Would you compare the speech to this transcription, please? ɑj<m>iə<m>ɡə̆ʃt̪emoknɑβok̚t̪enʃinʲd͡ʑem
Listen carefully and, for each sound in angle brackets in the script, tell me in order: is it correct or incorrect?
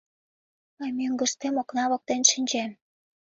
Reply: correct, incorrect: ŋ

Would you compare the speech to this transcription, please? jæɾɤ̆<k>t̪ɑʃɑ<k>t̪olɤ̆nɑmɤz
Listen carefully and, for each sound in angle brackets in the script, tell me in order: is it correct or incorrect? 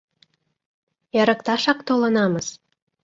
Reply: correct, correct

